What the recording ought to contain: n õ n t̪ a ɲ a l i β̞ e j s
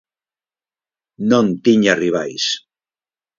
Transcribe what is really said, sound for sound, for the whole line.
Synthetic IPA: n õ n t̪ i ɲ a r i β̞ a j s